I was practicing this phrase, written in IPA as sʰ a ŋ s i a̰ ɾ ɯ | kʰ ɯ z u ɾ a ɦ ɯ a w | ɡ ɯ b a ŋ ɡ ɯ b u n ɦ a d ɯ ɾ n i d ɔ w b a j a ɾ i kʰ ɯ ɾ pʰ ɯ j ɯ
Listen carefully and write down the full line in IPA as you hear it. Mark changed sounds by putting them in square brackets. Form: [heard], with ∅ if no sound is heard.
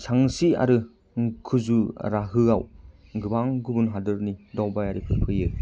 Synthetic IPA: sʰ a ŋ s i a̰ ɾ ɯ | kʰ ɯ z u ɾ a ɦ ɯ a w | ɡ ɯ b a ŋ ɡ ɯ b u n ɦ a d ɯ ɾ n i d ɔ w b a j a ɾ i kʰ ɯ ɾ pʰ ɯ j ɯ